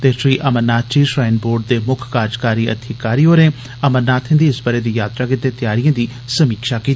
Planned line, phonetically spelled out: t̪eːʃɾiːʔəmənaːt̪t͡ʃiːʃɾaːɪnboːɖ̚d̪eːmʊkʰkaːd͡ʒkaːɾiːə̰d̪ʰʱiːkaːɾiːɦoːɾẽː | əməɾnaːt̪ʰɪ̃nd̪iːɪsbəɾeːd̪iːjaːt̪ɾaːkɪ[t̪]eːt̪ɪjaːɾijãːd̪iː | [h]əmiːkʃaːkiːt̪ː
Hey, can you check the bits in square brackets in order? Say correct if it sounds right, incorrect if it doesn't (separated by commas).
correct, incorrect